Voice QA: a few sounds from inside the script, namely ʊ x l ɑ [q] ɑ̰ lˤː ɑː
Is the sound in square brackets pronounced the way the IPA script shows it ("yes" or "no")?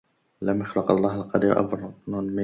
yes